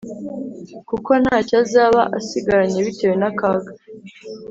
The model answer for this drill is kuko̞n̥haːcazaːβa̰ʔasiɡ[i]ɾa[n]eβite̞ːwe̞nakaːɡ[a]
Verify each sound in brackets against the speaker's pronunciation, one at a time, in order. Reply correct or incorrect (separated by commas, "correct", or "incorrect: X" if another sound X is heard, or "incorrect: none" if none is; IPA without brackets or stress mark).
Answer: incorrect: a, incorrect: ɲ, correct